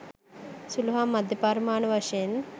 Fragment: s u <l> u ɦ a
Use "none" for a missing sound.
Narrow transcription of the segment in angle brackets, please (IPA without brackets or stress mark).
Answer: l